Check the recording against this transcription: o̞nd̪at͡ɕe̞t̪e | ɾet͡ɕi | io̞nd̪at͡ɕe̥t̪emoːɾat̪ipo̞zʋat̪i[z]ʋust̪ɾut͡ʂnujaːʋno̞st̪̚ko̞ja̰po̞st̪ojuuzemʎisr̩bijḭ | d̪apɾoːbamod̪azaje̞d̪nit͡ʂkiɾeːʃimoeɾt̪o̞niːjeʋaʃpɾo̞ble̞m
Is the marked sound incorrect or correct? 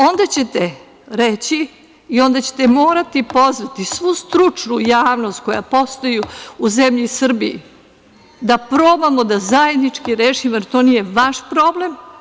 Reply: incorrect